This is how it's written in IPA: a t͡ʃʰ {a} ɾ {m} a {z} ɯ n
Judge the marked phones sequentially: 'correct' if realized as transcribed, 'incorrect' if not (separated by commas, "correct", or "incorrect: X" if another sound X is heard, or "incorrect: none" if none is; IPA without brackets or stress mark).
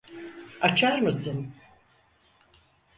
correct, correct, incorrect: s